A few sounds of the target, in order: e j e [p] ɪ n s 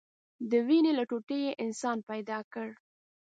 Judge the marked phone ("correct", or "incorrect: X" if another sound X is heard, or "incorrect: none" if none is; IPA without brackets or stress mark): incorrect: ʔ